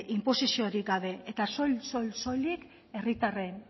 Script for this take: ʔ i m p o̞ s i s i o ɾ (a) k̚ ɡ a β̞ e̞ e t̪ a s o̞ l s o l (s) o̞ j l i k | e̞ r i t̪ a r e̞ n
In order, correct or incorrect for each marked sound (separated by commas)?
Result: incorrect, correct